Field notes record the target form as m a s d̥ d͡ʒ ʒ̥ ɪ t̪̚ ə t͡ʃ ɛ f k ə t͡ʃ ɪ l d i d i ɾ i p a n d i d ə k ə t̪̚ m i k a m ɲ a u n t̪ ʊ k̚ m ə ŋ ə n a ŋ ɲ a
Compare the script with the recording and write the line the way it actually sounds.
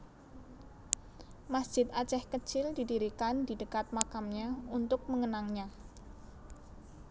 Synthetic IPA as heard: m a s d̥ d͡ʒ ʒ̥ ɪ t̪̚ a t͡ʃ ɛ h k ə t͡ʃ ɪ l d i d i ɾ i k a n d i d ə k a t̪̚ m a k a m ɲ a u n t̪ ʊ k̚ m ə ŋ ə n a ŋ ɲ a

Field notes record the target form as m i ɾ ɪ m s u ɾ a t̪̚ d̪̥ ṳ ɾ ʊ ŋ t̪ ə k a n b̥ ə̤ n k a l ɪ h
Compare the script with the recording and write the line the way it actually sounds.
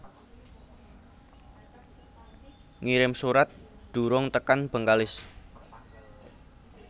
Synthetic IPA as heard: ŋ i ɾ ɪ m s u ɾ a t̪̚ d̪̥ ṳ ɾ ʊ ŋ t̪ ə k a n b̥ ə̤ ŋ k a l ɪ s

